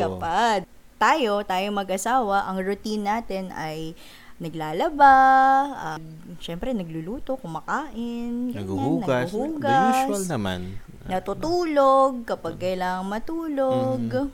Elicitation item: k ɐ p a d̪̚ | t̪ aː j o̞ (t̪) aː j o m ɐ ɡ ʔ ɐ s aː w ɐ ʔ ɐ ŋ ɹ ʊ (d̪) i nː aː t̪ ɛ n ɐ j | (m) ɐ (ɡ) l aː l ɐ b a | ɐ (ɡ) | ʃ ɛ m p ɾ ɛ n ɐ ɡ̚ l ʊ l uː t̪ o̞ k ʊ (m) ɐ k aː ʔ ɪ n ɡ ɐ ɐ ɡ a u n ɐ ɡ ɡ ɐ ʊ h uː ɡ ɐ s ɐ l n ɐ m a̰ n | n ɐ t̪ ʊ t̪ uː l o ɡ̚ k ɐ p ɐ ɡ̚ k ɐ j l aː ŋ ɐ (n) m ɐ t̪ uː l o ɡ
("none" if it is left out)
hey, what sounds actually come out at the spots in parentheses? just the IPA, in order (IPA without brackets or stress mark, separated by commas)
t̪, t̪, n, ɡ, ɡ, m, ŋ